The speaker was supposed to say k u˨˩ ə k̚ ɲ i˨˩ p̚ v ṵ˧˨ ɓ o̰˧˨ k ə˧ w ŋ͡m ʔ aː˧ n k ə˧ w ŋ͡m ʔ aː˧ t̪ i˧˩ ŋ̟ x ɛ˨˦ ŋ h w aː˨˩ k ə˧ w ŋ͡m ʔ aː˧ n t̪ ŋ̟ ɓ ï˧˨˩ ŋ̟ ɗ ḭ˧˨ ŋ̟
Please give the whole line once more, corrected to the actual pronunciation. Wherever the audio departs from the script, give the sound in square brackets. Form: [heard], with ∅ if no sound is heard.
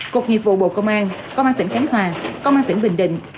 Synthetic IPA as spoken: k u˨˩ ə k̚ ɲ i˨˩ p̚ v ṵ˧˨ ɓ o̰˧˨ k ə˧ w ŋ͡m ʔ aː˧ n k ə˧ w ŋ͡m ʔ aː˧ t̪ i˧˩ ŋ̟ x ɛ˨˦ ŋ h w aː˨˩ k ə˧ w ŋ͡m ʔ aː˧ n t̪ ŋ̟ ɓ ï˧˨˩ ŋ̟ ɗ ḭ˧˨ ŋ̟